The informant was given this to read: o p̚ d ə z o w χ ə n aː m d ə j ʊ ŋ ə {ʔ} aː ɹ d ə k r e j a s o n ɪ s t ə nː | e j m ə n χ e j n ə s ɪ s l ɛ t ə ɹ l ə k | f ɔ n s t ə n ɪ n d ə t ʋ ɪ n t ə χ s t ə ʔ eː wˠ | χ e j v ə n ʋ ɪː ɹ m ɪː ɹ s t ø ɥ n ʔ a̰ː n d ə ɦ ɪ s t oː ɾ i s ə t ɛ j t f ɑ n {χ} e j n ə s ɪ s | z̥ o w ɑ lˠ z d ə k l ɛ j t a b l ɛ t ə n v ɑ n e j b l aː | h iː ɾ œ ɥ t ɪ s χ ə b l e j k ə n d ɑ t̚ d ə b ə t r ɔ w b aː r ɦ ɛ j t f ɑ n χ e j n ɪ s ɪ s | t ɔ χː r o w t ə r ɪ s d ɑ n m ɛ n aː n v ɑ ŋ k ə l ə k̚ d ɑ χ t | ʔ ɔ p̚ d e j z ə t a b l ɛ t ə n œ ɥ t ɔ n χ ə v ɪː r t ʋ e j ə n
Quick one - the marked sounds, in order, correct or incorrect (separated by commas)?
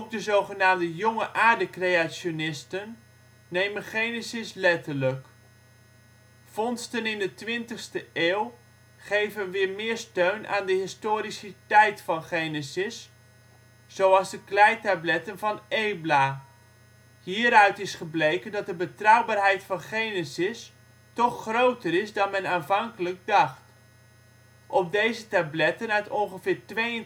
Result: correct, correct